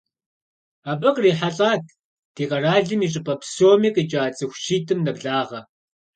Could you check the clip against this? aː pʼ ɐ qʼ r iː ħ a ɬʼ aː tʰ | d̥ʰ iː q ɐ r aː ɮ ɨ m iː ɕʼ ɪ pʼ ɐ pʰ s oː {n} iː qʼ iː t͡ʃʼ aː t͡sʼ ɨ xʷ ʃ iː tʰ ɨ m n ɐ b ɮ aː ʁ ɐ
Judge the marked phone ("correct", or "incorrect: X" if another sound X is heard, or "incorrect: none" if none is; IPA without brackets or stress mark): incorrect: m